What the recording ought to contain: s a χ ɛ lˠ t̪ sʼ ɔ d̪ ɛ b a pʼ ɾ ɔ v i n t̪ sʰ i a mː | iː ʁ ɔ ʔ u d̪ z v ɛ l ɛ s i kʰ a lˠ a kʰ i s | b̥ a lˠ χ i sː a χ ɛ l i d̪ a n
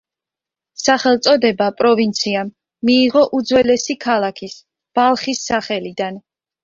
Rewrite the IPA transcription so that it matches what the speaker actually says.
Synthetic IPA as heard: s a χ ɛ lˠ t̪ sʼ ɔ d̪ ɛ b a pʼ ɾ ɔ v i n t̪ sʰ i a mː | iː ʁ ɔ ʔ u d̪ z w ɛ l ɛ s i kʰ a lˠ a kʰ i s | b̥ a lˠ χ i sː a χ ɛ l i d̪ a n